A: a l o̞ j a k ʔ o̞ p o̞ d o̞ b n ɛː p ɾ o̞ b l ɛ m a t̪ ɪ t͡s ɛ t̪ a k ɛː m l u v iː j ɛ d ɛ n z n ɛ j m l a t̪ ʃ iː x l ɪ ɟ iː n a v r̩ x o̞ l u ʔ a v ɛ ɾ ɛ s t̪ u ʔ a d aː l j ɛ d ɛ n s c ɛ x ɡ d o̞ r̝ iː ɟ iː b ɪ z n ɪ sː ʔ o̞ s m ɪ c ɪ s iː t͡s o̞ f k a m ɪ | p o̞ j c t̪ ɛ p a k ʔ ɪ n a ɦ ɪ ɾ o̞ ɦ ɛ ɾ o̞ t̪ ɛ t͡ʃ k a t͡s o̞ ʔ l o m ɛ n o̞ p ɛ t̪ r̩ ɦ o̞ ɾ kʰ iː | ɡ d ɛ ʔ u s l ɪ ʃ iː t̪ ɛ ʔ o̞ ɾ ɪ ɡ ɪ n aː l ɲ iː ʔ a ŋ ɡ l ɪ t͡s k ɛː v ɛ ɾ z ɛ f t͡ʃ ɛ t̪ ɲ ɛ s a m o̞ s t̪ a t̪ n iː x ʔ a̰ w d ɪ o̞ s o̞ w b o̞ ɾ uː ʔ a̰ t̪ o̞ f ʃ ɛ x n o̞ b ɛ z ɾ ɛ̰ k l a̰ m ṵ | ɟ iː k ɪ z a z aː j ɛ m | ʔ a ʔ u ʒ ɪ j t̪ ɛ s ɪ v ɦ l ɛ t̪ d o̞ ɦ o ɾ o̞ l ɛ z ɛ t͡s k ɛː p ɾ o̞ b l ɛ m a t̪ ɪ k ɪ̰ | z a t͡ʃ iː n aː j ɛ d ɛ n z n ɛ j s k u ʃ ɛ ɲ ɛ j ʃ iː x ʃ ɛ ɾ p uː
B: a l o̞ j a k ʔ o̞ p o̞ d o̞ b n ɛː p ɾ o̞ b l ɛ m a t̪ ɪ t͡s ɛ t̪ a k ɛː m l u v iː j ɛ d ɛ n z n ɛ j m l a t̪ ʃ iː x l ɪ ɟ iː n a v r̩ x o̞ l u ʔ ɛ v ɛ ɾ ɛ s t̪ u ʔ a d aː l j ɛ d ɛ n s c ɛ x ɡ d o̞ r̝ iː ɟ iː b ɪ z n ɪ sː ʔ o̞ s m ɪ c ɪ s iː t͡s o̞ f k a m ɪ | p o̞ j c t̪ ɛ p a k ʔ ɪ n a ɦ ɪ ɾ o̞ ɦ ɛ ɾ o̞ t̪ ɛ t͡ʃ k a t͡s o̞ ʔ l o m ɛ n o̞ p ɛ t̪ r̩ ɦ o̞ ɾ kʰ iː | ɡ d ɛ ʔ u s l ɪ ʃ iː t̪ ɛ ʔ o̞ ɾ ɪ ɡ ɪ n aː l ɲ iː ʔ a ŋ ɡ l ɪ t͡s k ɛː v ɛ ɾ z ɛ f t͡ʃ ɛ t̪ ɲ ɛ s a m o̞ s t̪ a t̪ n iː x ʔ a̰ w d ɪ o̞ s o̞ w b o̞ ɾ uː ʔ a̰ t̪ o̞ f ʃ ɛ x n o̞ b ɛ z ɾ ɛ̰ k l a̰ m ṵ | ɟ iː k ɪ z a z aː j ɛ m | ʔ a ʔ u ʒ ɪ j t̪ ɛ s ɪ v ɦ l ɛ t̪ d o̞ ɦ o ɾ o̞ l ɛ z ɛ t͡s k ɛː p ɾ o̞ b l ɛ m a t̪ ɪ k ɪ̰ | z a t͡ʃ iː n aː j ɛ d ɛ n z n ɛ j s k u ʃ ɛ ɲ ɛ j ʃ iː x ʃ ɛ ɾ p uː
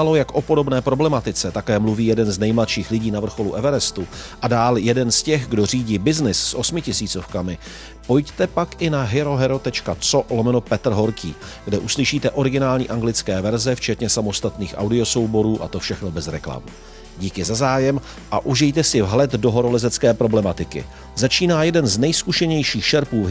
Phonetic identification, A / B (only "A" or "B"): B